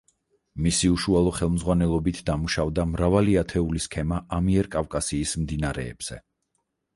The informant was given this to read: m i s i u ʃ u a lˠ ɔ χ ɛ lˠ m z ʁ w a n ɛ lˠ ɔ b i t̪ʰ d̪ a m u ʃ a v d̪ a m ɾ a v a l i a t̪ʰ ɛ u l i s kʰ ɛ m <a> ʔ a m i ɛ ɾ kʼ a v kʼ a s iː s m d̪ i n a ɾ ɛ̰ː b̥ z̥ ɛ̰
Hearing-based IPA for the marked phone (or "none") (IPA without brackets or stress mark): a